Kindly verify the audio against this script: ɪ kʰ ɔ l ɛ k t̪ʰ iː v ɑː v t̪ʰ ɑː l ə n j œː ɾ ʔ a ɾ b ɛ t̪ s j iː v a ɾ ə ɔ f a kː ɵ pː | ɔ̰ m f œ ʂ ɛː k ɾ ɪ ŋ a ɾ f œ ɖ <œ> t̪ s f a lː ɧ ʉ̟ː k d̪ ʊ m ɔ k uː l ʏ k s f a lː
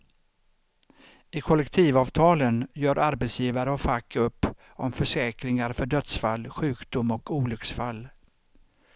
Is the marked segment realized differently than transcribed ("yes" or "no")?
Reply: no